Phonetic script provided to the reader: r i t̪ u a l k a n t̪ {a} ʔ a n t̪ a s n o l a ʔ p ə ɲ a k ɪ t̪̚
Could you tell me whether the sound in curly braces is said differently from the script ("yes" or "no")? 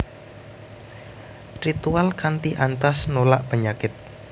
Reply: yes